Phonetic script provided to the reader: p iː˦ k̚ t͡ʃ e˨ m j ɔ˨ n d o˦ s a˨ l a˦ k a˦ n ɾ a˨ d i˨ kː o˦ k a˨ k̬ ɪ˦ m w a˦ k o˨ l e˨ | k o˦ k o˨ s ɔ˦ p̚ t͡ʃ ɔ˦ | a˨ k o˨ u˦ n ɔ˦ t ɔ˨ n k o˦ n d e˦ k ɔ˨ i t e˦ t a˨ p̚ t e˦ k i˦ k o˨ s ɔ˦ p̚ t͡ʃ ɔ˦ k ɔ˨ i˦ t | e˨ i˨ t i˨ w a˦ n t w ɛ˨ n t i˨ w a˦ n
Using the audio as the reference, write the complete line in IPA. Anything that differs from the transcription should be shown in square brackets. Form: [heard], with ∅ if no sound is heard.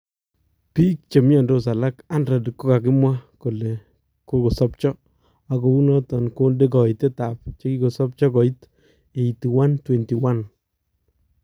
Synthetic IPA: p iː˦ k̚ t͡ʃ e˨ m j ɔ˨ n d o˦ s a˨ l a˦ k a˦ n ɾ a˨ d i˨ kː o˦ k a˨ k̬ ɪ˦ m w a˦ k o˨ l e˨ | k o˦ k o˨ s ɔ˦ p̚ t͡ʃ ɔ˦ | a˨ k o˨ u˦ n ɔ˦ t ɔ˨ n k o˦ n d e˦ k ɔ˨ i t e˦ t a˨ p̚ [t͡ʃ] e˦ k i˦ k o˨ s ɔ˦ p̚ t͡ʃ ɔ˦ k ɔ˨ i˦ t | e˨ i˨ t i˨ w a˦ n t w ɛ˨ n t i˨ w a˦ n